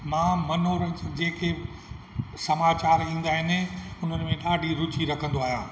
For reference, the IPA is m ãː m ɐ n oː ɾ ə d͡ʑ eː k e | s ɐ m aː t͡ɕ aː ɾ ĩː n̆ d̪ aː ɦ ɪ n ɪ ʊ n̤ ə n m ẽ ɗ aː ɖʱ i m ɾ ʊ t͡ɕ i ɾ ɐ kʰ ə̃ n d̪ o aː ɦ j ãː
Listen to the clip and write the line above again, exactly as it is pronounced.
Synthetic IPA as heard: m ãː m ɐ n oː ɾ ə d͡ʑ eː k e | s ɐ m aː t͡ɕ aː ɾ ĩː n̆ d̪ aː ɦ ɪ n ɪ ʊ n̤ ə n m ẽ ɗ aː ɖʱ i ɾ ʊ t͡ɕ i ɾ ɐ kʰ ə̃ n d̪ o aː ɦ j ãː